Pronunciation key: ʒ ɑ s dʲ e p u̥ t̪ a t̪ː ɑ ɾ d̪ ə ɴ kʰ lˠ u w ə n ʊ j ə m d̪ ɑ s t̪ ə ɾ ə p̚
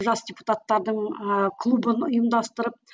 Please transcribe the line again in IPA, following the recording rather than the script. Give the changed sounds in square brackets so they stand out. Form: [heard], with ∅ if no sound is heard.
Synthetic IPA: ʒ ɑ s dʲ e p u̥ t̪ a t̪ː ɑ ɾ d̪ ə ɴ kʰ lˠ u [b] ə n ʊ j ə m d̪ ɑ s t̪ ə ɾ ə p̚